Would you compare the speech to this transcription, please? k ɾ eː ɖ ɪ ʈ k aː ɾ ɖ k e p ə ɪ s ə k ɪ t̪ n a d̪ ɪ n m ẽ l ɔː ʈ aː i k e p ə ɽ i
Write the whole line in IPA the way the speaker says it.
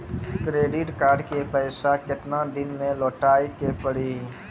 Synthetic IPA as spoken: k ɾ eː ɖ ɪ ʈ k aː ɾ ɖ k e p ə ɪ s a k ɪ t̪ n a d̪ ɪ n m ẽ l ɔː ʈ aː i k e p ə ɽ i